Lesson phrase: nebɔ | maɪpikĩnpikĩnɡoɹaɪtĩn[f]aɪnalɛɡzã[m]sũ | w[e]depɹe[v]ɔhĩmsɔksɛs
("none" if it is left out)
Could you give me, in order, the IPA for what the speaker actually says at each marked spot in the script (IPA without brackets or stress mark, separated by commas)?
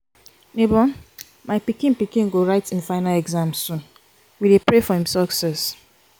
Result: f, m, i, f